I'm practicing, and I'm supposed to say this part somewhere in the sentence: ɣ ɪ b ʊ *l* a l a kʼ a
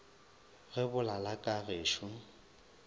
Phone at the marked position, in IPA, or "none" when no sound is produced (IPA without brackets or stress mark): l